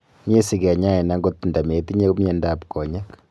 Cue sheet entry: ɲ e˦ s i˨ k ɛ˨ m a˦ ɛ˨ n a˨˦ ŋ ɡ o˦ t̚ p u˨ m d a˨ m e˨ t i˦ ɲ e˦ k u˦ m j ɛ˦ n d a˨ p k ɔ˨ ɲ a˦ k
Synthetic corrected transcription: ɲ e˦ s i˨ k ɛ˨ ɲ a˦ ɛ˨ n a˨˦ ŋ ɡ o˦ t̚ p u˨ n d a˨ m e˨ t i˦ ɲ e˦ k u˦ m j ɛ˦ n d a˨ p k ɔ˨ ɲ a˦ k

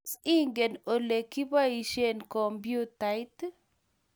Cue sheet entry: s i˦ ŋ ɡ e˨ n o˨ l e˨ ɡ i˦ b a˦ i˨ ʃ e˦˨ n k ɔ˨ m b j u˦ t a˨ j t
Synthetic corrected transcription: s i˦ ŋ ɡ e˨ n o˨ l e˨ k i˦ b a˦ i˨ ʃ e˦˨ n k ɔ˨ m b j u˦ t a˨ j t

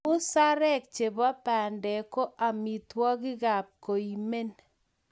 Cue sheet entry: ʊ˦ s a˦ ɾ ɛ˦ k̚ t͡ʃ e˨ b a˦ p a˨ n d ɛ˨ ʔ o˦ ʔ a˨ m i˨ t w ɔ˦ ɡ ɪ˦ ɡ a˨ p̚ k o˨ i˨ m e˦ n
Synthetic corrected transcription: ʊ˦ s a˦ ɾ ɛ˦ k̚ t͡ʃ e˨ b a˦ p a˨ n d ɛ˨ k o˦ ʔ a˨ m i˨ t w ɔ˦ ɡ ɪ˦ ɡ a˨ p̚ k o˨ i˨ m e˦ n

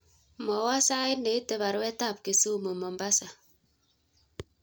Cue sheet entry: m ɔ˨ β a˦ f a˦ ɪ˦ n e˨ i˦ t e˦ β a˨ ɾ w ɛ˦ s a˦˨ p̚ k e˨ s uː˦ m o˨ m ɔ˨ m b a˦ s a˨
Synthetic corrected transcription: m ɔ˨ w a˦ s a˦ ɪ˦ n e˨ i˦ t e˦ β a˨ ɾ w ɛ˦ t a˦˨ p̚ k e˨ s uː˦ m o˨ m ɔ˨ m b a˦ s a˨

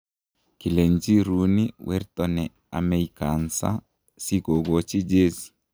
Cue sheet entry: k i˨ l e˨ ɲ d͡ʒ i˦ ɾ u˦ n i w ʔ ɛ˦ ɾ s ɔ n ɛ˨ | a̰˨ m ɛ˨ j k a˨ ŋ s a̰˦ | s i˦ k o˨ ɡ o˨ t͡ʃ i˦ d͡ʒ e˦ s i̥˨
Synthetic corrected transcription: k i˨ l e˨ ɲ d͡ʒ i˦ ɾ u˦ n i w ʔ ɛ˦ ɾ t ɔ n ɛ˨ | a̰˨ m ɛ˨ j k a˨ n s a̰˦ | s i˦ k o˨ ɡ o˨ t͡ʃ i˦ d͡ʒ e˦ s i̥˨

